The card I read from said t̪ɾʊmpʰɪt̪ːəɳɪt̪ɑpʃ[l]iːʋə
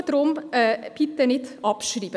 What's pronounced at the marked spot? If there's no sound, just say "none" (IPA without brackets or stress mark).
ɾ